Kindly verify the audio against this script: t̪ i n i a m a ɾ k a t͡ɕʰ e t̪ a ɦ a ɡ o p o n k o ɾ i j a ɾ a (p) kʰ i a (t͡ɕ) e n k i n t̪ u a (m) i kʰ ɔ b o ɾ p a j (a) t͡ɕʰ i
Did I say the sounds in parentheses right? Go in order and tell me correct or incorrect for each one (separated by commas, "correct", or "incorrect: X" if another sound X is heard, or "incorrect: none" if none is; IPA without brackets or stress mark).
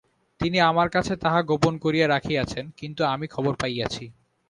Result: incorrect: none, incorrect: t͡ɕʰ, correct, correct